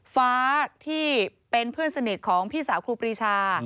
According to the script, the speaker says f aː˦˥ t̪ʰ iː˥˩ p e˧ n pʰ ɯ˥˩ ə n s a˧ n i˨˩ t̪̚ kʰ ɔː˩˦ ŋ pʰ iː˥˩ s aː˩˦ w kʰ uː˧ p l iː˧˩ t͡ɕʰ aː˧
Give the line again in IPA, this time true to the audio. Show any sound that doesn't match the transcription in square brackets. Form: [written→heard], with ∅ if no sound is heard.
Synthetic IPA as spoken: f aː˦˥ t̪ʰ iː˥˩ p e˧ n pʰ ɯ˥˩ ə n s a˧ n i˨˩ t̪̚ kʰ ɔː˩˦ ŋ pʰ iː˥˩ s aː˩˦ w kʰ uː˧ p [l→ɾ] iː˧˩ t͡ɕʰ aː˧